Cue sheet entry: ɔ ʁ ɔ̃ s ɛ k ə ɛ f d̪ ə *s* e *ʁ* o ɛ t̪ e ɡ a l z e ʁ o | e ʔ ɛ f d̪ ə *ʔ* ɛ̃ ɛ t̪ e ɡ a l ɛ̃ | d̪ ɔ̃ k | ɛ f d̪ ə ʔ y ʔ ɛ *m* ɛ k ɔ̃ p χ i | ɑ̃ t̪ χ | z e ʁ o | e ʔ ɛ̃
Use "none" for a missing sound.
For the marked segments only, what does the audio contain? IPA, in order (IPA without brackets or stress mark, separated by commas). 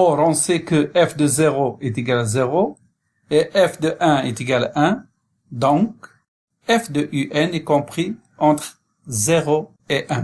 z, ʁ, ʔ, n